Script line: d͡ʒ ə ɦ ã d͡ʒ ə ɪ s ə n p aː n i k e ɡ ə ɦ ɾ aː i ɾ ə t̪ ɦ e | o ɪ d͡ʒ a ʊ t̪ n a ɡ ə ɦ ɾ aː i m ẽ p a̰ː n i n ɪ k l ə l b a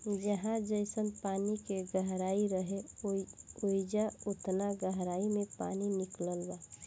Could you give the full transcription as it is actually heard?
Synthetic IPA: d͡ʒ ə ɦ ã d͡ʒ ə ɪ s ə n p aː n i k e ɡ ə ɦ ɾ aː i ɾ ə ɦ e | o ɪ d͡ʒ a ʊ t̪ n a ɡ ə ɦ ɾ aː i m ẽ p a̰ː n i n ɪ k l ə l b a